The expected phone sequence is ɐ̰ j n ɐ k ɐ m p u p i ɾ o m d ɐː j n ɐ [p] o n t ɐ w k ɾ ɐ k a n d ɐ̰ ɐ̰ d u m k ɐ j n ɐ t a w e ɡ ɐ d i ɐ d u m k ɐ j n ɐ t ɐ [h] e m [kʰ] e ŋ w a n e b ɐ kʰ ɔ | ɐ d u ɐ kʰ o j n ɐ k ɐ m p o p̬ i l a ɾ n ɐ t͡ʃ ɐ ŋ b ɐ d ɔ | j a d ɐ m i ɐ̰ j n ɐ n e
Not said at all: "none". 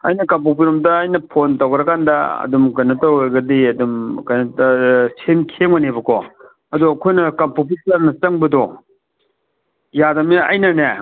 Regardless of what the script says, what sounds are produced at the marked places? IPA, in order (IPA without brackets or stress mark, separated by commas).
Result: pʰ, s, kʰ